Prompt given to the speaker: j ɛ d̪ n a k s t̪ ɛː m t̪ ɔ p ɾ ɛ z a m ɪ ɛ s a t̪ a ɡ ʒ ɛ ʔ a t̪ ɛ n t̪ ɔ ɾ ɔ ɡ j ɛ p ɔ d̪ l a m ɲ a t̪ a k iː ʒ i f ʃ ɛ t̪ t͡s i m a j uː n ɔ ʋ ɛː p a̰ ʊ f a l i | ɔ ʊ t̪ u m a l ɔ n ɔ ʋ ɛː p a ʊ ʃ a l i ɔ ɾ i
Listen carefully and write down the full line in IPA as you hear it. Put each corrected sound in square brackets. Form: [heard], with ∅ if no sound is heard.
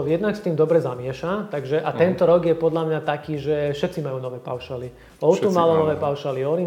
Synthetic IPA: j ɛ d̪ n a k s t̪ [iː] m [d̪] ɔ [b] ɾ ɛ z a m ɪ ɛ [ʃ] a t̪ a ɡ ʒ ɛ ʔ a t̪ ɛ n t̪ ɔ ɾ ɔ ɡ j ɛ p ɔ d̪ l a m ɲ a t̪ a k iː ʒ [ɛ] f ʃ ɛ t̪ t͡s i m a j uː n ɔ ʋ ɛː p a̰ ʊ [ʃ] a l i | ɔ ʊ t̪ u m a l ɔ n ɔ ʋ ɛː p a ʊ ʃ a l i ɔ ɾ i